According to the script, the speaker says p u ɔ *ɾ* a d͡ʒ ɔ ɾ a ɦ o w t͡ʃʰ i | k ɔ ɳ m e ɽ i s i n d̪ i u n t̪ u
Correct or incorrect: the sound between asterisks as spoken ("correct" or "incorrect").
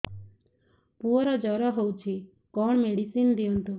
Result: correct